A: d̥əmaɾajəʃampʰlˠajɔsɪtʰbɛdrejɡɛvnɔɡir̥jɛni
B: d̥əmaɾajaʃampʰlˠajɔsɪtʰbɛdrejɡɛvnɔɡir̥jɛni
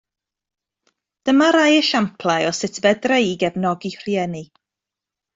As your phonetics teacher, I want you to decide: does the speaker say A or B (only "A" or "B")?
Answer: A